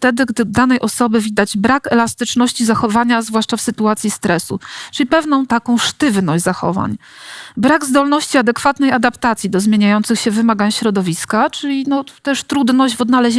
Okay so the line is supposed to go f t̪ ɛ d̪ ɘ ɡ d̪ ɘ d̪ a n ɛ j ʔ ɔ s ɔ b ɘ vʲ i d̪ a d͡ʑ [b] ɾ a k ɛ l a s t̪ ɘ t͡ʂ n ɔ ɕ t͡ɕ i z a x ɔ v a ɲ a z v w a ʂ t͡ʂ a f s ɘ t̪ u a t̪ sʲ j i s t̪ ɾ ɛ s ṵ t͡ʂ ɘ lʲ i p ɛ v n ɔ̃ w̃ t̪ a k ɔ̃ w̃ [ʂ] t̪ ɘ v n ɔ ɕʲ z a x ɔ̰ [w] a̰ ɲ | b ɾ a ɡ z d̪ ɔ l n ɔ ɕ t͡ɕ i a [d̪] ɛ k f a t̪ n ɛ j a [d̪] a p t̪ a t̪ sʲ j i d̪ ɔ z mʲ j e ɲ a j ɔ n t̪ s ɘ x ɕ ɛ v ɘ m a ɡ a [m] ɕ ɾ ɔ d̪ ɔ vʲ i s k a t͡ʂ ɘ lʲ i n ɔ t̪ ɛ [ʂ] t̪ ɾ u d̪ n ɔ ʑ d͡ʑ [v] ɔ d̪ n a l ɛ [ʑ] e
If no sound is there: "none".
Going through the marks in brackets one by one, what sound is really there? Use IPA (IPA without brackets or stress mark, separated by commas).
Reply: b, ʂ, v, d̪, d̪, ɲ, ʂ, v, ʑ